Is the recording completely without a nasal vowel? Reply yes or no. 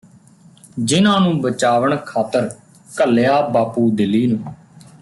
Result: no